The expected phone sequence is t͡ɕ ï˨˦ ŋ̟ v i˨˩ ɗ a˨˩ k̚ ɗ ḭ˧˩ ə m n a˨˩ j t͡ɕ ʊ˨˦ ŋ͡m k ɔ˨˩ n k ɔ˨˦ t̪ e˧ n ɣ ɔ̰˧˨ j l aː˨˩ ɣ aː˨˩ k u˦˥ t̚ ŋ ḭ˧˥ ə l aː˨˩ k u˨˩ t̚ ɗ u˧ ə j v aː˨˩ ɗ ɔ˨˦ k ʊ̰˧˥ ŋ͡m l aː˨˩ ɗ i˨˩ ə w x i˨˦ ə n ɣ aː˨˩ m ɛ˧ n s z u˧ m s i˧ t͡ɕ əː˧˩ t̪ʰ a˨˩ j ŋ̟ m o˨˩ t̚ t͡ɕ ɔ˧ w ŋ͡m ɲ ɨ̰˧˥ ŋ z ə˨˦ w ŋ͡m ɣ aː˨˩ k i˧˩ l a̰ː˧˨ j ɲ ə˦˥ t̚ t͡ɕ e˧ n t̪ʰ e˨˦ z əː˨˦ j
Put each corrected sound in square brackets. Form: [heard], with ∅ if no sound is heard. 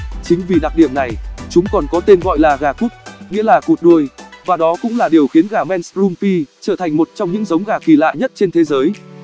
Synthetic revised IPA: t͡ɕ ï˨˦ ŋ̟ v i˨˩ ɗ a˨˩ k̚ ɗ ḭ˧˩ ə m n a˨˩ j t͡ɕ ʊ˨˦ ŋ͡m k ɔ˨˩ n k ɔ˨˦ t̪ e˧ n ɣ ɔ̰˧˨ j l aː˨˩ ɣ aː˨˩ k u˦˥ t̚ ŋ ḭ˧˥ ə l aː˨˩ k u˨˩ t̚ ɗ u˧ ə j v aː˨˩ ɗ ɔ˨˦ k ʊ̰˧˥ ŋ͡m l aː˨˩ ɗ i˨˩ ə w x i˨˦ ə n ɣ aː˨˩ m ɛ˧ n s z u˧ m [f] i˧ t͡ɕ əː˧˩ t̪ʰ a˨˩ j ŋ̟ m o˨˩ t̚ t͡ɕ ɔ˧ w ŋ͡m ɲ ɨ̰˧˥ ŋ z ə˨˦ w ŋ͡m ɣ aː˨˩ k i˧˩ l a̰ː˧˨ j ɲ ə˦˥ t̚ t͡ɕ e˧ n t̪ʰ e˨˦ z əː˨˦ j